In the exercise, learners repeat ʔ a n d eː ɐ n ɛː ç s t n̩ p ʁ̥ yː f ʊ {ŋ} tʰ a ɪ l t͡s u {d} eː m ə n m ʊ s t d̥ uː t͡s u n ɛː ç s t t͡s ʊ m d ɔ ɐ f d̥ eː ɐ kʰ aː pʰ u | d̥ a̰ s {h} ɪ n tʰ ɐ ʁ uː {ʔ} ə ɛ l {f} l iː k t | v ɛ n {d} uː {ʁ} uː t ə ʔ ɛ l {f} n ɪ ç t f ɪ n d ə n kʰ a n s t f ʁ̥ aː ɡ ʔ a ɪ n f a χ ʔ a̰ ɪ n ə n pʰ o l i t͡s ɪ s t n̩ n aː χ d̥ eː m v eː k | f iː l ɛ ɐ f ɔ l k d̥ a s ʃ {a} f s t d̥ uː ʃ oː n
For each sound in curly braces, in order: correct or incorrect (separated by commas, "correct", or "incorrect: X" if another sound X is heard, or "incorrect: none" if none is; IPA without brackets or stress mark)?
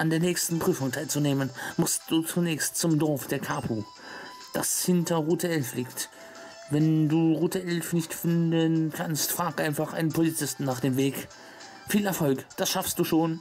correct, incorrect: n, correct, incorrect: t, correct, correct, correct, correct, correct